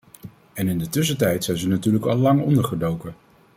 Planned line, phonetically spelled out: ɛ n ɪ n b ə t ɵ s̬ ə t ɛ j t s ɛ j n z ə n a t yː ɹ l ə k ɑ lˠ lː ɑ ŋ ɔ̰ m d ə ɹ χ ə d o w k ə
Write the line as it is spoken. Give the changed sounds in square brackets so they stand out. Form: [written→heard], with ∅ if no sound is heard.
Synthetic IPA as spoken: ɛ n ɪ n [b→d] ə t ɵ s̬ ə t ɛ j t s ɛ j n z ə n a t yː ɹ l ə k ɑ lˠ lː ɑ ŋ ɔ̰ [m→n] d ə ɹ χ ə d o w k ə